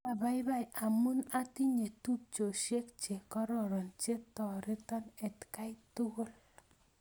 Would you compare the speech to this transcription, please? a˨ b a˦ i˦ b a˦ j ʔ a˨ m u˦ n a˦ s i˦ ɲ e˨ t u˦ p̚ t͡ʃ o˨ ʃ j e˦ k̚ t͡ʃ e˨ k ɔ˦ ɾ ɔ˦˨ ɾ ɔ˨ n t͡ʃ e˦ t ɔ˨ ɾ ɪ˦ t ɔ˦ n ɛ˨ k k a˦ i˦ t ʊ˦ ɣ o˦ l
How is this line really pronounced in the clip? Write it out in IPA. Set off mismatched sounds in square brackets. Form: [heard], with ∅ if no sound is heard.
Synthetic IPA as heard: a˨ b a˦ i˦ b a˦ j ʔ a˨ m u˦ n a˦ [t] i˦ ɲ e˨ t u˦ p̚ t͡ʃ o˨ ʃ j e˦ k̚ t͡ʃ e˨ k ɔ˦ ɾ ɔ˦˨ ɾ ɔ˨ n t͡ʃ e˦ t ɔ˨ ɾ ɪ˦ t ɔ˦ n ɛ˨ [t] k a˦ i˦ t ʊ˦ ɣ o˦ l